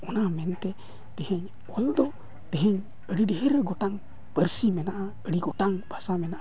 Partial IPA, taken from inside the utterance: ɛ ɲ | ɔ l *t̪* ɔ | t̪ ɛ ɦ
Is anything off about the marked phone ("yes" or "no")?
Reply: yes